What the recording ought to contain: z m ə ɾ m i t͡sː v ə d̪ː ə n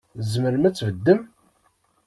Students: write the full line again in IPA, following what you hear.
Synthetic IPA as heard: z m ə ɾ m æ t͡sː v ə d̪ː ə m